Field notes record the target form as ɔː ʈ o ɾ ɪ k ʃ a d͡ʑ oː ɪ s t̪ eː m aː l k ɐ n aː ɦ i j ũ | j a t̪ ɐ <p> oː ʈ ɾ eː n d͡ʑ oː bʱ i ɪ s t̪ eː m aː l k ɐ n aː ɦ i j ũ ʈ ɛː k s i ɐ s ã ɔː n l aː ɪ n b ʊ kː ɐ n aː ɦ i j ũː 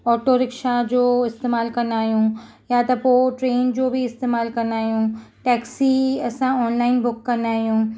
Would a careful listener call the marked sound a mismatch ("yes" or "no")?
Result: no